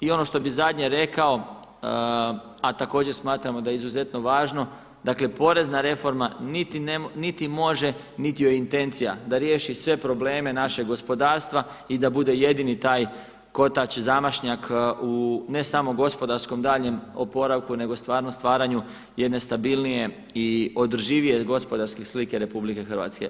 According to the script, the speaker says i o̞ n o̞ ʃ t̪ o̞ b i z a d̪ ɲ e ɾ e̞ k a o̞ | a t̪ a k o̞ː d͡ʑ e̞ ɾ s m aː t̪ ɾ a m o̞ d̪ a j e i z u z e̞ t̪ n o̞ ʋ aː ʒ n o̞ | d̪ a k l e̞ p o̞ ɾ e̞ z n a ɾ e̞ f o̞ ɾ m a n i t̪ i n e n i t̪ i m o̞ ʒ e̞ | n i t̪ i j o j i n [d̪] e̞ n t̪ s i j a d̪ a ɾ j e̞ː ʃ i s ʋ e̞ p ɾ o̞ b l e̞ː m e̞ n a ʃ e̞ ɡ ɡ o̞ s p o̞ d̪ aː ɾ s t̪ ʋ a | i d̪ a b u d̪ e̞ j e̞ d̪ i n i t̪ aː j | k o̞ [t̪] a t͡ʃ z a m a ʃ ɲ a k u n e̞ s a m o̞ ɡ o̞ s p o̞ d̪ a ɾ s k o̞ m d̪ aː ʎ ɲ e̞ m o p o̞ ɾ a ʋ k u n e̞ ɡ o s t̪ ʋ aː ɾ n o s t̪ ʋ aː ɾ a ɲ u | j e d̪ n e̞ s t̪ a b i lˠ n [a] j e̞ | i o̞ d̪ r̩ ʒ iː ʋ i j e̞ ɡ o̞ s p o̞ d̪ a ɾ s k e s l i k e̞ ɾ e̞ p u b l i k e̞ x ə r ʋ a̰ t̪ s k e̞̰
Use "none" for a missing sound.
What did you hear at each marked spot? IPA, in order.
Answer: t̪, t̪, i

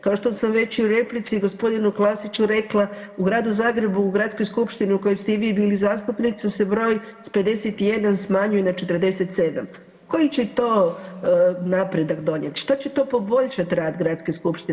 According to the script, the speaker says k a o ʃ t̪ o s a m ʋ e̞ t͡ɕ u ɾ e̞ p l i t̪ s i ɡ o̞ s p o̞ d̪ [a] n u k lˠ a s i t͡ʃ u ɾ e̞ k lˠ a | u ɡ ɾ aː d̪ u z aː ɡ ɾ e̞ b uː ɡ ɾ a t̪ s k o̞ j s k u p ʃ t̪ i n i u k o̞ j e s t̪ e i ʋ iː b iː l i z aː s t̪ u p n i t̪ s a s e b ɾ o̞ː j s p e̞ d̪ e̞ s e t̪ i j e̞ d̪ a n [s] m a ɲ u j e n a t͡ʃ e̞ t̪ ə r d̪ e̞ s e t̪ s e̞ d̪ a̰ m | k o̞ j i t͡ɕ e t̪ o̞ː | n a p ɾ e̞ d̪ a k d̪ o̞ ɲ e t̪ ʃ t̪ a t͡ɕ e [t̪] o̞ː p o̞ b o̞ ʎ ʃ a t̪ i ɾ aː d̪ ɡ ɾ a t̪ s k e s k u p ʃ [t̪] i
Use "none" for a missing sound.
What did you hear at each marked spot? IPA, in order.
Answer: i, s, t̪, t̪

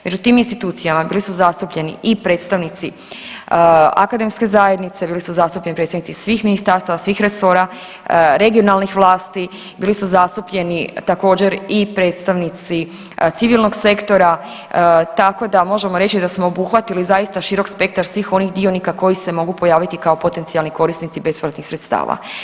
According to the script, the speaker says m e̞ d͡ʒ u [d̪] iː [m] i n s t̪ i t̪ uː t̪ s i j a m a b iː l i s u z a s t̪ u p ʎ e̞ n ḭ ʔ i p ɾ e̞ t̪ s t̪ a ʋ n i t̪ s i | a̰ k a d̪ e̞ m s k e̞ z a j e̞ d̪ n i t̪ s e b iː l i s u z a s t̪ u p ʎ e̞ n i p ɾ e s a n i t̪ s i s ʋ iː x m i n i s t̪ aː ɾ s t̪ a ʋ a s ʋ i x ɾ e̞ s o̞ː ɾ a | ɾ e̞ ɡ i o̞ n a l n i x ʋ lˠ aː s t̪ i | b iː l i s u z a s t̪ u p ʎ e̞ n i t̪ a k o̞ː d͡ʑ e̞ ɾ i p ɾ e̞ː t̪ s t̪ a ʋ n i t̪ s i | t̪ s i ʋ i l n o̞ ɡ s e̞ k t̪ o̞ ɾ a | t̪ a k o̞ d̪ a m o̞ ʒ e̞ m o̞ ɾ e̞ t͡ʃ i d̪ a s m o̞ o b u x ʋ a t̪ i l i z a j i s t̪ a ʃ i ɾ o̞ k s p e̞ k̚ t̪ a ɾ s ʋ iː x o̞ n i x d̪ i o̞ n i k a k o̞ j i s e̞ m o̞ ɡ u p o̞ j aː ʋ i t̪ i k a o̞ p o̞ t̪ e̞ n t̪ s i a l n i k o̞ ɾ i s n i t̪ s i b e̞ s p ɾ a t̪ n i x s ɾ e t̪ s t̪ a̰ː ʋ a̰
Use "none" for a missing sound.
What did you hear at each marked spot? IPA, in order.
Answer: t̪, m

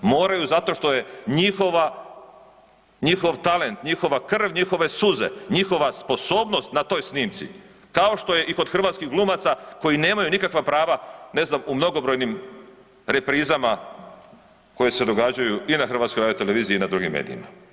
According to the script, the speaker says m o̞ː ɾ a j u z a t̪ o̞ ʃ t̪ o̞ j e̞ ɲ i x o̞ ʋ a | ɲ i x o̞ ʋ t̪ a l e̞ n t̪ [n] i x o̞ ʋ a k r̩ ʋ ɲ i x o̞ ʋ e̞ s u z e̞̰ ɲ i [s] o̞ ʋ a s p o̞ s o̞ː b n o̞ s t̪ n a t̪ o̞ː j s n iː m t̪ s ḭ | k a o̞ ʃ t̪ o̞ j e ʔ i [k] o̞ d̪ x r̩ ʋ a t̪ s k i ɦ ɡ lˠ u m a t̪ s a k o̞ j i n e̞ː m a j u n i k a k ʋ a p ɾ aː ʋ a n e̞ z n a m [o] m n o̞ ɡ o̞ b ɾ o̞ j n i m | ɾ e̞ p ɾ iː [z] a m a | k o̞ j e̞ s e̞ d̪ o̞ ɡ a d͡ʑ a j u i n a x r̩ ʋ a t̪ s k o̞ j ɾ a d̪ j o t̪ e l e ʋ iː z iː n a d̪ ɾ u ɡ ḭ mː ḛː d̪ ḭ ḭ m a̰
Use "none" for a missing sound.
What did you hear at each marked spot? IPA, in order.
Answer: ɲ, x, k, u, z

